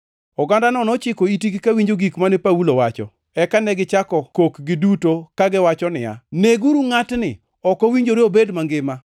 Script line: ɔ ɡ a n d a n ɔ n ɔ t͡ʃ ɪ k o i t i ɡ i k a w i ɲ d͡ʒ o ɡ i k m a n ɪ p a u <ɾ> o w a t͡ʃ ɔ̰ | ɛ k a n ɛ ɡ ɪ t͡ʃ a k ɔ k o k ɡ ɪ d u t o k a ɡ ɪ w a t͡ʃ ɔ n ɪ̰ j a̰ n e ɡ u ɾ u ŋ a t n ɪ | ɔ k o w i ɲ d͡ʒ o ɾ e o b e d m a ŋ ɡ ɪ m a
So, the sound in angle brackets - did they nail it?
no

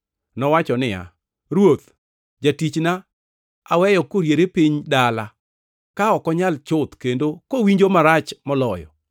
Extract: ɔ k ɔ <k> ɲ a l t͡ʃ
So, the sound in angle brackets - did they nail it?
no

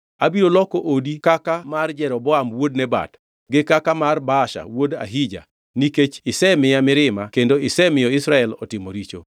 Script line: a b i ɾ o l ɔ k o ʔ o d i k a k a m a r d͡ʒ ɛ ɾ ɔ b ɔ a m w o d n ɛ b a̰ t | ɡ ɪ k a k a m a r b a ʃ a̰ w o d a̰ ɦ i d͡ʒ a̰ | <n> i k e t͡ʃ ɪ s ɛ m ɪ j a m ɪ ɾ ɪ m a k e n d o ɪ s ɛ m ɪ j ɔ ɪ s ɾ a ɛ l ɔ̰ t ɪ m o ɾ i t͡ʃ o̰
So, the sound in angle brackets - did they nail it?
yes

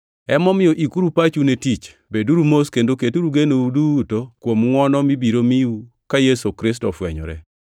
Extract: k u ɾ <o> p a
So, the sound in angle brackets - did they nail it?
no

